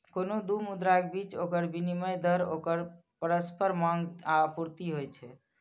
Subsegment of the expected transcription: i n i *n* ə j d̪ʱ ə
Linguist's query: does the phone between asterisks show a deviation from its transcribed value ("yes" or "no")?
yes